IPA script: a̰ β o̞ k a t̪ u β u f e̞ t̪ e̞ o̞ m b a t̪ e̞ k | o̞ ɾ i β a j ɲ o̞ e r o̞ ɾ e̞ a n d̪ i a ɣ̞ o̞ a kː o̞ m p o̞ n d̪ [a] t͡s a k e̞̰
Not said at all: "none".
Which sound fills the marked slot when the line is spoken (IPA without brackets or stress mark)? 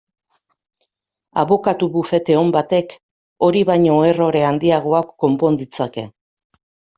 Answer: i